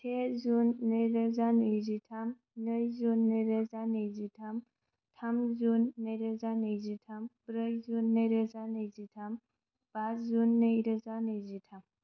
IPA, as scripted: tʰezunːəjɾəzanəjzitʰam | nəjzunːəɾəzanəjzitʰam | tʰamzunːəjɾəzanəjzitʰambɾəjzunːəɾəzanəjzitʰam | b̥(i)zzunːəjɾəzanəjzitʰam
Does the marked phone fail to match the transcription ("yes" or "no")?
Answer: yes